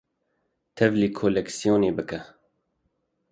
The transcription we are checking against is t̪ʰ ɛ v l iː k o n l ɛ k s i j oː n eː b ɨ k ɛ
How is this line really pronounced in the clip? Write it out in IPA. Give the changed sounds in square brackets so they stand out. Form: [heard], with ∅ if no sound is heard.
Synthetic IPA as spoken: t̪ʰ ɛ v l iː [kʰ] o [∅] l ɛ k s i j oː n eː b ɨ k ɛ